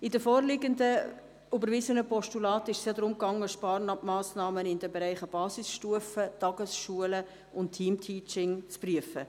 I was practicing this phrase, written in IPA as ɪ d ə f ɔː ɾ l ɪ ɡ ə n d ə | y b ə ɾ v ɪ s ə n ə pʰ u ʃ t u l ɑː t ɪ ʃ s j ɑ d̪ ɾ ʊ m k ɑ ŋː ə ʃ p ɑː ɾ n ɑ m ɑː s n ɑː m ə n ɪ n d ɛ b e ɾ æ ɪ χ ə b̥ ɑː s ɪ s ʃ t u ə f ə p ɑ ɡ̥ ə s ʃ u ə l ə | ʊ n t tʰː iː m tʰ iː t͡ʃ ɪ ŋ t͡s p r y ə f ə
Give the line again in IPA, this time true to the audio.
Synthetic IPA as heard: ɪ d ə f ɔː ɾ l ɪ ɡ ə n d ə | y b ə ɾ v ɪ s ə n ə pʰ ɔ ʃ t u l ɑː t ɪ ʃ s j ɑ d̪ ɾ ʊ m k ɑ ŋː ə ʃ p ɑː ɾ n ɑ m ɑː s n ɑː m ə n ɪ n d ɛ b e ɾ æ ɪ χ ə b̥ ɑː s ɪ s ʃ t u ə f ə t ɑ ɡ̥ ə s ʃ u ə l ə | ʊ n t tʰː iː m tʰ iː t͡ʃ ɪ ŋ t͡s p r y ə f ə